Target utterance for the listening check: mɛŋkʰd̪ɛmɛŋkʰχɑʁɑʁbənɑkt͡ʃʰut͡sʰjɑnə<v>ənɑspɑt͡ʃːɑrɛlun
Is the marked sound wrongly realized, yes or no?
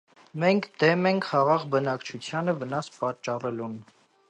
no